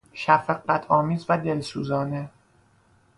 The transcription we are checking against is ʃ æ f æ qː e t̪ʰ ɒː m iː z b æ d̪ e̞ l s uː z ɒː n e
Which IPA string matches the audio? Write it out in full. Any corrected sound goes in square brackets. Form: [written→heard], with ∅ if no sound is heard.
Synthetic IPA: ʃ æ f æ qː [e→æ] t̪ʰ ɒː m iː z [b→v] æ d̪ e̞ l s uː z ɒː n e